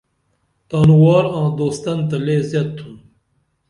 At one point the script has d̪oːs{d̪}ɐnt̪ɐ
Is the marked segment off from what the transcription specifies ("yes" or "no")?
yes